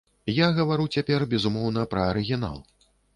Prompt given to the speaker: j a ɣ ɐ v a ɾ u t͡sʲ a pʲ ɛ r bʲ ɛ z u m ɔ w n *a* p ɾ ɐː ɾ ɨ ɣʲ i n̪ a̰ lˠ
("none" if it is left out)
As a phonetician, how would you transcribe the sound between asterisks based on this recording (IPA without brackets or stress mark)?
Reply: ɐ